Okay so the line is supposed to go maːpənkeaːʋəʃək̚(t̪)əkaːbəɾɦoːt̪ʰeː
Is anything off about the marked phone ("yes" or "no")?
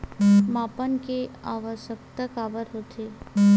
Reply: no